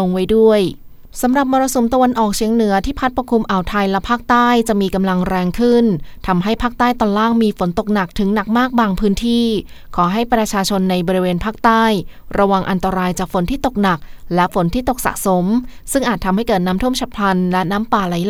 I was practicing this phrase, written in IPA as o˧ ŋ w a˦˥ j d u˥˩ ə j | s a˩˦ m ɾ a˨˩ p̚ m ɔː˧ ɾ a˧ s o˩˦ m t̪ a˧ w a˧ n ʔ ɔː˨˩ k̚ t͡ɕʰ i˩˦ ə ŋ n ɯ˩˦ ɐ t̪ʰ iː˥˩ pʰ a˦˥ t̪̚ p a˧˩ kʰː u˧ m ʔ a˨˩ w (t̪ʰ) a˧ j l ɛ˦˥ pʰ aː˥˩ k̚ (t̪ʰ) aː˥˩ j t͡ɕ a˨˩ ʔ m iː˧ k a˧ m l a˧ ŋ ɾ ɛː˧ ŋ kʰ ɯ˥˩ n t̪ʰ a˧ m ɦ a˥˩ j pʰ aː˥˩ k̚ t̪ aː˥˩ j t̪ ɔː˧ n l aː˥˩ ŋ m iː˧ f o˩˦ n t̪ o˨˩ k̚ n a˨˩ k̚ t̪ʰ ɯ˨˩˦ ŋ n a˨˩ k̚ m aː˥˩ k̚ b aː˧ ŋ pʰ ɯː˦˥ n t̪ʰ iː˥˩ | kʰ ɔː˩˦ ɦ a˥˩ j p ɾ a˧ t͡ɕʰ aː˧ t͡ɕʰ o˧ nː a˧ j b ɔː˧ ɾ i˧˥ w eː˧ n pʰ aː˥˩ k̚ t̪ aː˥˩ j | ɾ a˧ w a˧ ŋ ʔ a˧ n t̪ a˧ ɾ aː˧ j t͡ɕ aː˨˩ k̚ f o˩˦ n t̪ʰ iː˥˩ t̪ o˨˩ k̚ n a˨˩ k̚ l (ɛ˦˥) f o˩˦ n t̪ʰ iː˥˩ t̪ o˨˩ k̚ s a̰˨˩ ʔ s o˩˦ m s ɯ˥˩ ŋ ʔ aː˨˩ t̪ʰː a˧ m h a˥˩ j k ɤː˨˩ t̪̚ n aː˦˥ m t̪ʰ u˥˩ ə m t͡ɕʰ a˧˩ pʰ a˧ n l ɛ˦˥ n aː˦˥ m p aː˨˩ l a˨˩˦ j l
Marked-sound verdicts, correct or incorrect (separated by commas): correct, incorrect, correct